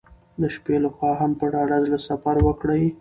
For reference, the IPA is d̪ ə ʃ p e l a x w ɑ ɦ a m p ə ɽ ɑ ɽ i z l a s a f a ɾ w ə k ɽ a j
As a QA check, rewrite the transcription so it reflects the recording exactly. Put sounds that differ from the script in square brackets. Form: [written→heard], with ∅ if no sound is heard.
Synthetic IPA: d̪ ə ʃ p e l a x w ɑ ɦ a m p ə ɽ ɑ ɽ [i→a] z l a s a f a ɾ w ə k ɽ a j